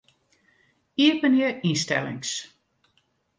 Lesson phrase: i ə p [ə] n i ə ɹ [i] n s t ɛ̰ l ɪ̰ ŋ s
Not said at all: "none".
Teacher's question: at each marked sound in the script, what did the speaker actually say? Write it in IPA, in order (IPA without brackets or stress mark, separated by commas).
ə, i